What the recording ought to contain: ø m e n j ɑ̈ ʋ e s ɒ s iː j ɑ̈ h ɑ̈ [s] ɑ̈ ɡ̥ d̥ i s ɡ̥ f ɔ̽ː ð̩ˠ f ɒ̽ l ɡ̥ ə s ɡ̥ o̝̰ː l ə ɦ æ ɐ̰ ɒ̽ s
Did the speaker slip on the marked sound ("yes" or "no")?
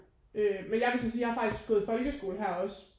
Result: yes